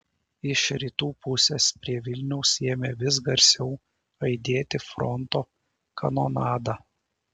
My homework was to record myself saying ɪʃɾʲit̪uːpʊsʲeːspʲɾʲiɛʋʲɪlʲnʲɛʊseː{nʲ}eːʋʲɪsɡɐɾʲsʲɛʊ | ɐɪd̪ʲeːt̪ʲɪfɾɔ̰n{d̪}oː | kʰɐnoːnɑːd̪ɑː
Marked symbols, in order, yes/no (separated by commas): no, no